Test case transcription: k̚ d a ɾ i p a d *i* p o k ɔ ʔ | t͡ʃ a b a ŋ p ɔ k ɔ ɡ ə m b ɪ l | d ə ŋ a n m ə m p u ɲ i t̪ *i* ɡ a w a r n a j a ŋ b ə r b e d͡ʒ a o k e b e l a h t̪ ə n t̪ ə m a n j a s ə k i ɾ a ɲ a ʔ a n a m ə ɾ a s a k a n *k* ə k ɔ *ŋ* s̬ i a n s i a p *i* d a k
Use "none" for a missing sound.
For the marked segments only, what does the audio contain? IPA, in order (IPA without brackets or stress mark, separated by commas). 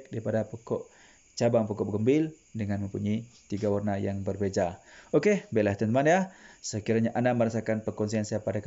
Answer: a, i, p, n, a